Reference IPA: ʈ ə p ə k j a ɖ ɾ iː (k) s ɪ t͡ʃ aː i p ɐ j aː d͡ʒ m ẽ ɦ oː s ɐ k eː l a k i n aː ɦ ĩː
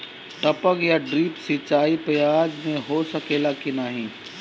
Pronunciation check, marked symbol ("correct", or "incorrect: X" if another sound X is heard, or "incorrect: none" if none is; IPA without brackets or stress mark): incorrect: p